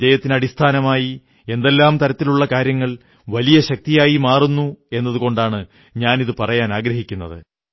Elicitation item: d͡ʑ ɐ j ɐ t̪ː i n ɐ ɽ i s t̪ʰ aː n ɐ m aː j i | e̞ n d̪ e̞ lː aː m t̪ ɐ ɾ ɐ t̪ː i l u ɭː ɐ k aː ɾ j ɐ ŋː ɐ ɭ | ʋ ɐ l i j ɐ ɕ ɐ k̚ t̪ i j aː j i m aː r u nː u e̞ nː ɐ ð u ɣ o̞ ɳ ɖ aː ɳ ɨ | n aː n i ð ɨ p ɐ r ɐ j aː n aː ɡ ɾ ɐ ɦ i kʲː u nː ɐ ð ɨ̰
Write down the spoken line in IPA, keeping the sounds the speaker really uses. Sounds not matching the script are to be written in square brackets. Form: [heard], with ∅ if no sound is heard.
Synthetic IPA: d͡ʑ ɐ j ɐ t̪ː i n ɐ ɽ i s t̪ʰ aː n ɐ m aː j i | e̞ n d̪ e̞ lː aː m t̪ ɐ ɾ ɐ t̪ː i l u ɭː ɐ k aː ɾ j ɐ ŋː ɐ ɭ | ʋ ɐ l i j ɐ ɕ ɐ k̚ t̪ i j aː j i m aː r u nː u e̞ nː ɐ ð u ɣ o̞ ɳ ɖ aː ɳ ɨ | [ɲ] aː n i ð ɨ p ɐ r ɐ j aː n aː ɡ ɾ ɐ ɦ i kʲː u nː ɐ ð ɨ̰